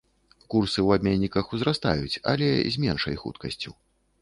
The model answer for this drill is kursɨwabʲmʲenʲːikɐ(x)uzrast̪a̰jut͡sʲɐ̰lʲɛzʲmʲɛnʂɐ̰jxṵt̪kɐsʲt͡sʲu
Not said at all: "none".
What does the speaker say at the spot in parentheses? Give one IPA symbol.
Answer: x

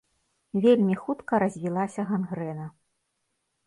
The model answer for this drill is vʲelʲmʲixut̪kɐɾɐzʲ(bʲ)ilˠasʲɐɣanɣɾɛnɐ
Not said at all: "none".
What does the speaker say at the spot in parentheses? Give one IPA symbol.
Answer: vʲ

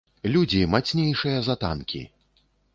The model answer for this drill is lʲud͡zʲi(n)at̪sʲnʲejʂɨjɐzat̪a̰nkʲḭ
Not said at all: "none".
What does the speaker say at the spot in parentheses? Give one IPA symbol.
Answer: m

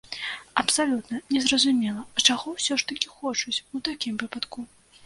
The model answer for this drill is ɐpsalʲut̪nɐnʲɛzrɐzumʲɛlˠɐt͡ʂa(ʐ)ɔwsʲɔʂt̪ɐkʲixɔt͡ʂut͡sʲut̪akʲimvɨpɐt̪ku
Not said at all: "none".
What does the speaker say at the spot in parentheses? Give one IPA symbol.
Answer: ɣ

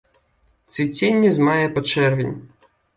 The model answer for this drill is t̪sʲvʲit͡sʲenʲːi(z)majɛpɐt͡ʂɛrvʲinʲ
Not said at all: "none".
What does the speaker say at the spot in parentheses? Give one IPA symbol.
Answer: z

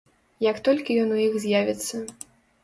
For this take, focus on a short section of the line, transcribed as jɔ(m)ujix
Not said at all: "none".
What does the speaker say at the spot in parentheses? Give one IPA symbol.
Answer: n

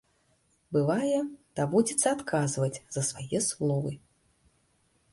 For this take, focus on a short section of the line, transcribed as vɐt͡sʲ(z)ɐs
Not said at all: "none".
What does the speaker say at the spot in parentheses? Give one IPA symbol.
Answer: z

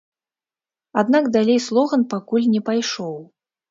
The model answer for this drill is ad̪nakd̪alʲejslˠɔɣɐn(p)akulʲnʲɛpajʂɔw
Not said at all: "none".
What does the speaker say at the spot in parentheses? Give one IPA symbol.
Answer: p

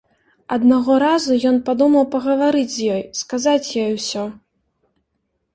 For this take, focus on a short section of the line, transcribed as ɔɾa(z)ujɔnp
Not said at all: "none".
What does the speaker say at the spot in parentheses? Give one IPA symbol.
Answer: z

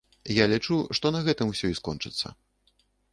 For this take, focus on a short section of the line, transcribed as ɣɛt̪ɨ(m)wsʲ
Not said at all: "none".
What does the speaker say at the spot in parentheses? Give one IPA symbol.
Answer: m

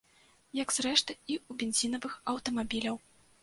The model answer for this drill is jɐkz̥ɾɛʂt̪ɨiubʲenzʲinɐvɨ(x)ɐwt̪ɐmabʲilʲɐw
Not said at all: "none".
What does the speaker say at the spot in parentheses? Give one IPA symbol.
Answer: x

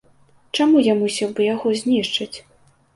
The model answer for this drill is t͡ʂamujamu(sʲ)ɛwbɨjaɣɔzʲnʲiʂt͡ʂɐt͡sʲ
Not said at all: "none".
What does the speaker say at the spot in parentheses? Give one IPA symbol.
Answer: sʲ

